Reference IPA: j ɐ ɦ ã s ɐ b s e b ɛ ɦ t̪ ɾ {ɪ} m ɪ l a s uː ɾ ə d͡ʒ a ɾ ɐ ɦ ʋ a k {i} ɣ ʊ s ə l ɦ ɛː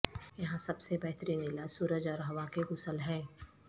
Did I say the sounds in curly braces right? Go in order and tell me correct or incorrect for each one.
incorrect: i, incorrect: e

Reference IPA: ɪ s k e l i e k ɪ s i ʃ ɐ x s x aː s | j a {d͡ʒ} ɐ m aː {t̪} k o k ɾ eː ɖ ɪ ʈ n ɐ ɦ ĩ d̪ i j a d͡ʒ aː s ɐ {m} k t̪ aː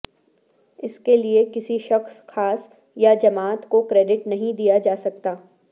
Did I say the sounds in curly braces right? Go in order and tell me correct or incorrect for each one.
correct, correct, incorrect: none

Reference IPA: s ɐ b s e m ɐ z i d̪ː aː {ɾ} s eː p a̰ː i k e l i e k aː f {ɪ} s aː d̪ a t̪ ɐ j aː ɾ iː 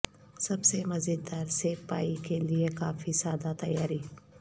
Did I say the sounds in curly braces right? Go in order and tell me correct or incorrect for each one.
correct, incorrect: i

